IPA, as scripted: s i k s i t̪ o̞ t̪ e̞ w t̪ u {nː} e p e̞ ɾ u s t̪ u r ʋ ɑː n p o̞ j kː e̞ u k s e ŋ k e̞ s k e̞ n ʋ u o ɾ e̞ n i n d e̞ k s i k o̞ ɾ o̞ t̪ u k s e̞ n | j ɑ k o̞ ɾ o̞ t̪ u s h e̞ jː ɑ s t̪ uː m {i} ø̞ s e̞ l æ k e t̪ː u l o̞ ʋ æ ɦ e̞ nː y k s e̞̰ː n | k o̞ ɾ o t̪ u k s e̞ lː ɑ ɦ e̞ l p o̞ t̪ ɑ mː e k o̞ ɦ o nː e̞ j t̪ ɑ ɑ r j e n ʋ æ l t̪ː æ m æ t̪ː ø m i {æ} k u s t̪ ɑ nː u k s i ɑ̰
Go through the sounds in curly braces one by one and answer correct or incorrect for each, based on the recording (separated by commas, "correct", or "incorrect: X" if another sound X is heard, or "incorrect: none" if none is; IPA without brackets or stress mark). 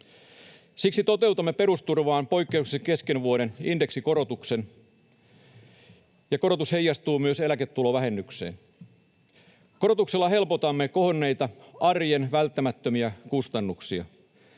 incorrect: mː, incorrect: y, correct